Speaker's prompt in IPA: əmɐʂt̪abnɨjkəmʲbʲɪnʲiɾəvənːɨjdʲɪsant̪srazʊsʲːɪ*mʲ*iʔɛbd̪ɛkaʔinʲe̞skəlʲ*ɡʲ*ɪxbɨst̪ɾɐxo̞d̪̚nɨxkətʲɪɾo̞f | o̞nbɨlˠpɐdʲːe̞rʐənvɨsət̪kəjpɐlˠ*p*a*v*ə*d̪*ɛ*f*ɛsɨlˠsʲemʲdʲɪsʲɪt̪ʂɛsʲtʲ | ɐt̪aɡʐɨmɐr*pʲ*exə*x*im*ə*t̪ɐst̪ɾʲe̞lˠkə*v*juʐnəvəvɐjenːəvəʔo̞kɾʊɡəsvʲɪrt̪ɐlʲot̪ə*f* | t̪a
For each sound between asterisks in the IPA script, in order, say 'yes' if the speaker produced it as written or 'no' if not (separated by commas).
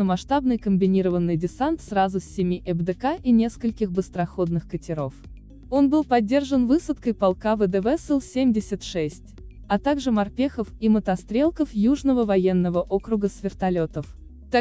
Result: yes, no, no, yes, yes, no, yes, no, yes, no, yes